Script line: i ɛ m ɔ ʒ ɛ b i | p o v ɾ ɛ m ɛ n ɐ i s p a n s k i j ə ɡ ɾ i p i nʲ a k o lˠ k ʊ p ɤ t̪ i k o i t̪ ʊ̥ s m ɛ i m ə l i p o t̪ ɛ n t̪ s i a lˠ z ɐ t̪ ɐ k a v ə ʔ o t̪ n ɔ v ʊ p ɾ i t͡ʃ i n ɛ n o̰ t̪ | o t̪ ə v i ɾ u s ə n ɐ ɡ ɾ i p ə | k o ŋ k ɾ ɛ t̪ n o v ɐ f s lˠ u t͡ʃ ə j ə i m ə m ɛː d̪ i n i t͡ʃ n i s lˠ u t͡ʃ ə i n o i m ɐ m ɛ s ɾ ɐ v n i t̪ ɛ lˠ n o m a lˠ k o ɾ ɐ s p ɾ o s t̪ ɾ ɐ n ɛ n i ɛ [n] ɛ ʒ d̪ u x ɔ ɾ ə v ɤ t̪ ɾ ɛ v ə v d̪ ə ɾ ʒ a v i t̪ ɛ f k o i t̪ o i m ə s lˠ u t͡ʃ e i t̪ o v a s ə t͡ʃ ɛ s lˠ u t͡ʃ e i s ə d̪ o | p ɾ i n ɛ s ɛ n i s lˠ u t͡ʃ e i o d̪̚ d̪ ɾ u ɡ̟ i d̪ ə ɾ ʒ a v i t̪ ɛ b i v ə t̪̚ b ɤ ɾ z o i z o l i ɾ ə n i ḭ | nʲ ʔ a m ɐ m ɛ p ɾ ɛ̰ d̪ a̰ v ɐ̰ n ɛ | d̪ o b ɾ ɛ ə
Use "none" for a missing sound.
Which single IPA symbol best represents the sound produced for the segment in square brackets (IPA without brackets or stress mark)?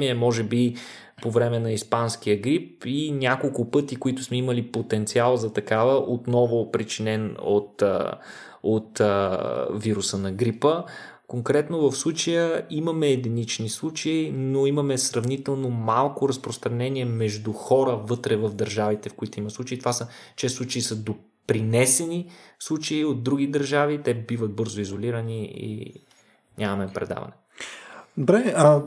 m